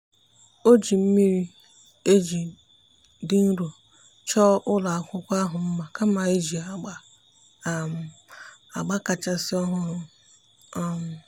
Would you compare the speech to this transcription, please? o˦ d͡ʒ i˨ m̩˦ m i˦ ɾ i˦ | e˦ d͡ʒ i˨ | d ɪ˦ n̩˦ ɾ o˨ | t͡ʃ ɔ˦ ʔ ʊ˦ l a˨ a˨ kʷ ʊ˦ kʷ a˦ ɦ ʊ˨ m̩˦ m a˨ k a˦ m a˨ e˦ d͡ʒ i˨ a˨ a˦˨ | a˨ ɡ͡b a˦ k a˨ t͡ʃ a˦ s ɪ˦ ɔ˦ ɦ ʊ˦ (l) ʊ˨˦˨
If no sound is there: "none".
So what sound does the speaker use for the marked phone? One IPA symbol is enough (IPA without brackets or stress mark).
ɾ